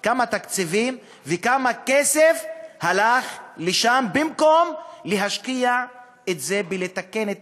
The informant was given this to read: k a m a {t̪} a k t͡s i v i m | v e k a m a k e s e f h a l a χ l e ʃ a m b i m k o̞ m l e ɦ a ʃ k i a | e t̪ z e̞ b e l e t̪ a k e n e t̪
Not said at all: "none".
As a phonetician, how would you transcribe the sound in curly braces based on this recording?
t̪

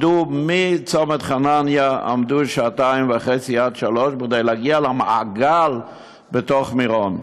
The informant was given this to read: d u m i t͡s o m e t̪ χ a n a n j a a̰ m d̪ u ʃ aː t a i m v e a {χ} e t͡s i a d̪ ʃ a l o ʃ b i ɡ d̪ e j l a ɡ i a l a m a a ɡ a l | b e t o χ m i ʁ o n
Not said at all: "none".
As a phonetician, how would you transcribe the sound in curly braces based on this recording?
χ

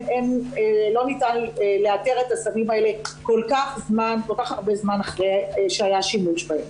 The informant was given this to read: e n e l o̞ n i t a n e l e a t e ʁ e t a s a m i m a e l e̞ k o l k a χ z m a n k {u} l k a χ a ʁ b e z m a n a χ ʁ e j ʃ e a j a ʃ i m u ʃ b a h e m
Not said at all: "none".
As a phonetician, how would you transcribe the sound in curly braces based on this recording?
o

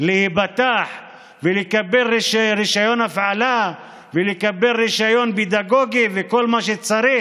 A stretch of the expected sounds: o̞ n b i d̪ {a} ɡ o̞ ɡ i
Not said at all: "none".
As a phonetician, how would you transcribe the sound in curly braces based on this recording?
a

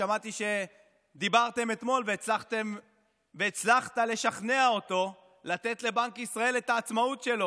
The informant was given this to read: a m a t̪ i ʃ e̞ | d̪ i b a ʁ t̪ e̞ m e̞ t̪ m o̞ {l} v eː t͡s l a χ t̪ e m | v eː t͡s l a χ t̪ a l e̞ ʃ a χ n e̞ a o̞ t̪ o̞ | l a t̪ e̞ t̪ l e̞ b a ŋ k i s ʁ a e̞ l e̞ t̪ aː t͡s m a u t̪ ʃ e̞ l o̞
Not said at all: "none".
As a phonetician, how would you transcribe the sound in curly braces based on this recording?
l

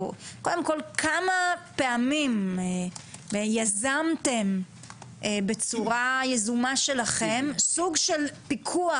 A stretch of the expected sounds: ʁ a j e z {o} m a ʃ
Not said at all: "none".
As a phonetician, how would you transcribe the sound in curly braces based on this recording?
u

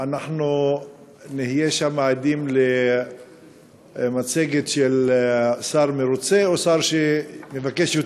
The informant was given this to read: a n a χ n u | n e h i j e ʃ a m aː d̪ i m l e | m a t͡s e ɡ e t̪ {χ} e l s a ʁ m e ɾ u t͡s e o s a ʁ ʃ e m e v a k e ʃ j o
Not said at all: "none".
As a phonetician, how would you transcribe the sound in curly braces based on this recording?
ʃ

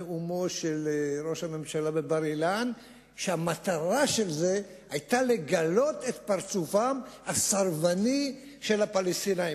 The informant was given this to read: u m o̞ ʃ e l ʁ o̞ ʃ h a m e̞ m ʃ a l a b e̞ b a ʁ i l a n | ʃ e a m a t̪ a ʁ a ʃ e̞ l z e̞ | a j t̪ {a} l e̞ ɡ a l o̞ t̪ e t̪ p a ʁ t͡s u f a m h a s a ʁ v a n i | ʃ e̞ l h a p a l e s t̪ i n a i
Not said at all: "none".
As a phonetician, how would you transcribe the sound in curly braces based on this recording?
a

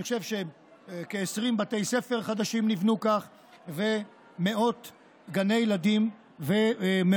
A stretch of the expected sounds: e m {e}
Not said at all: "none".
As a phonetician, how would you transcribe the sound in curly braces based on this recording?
e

